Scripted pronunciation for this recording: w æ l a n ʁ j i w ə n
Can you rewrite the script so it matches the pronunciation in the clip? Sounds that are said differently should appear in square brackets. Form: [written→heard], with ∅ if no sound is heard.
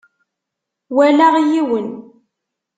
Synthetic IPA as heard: w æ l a [n→∅] ʁ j i w ə n